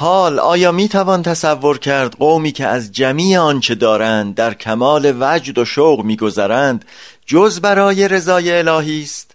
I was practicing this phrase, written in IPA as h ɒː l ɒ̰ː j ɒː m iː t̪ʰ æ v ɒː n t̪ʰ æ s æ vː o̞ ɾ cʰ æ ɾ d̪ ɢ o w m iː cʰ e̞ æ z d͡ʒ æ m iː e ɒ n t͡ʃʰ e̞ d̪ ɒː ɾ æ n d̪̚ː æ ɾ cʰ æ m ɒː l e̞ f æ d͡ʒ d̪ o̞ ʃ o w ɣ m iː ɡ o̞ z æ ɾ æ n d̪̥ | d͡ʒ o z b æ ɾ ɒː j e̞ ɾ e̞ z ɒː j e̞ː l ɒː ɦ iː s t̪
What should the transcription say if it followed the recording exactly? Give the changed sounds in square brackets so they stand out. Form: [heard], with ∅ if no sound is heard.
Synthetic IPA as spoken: h ɒː l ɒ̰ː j ɒː m iː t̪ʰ æ v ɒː n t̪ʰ æ s æ vː o̞ ɾ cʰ æ ɾ d̪ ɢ o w m iː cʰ e̞ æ z d͡ʒ æ m iː e ɒ n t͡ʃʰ e̞ d̪ ɒː ɾ æ n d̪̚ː æ ɾ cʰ æ m ɒː l e̞ [v] æ d͡ʒ d̪ o̞ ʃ o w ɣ m iː ɡ o̞ z æ ɾ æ n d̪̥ | d͡ʒ o z b æ ɾ ɒː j e̞ ɾ e̞ z ɒː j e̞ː l ɒː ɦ iː s t̪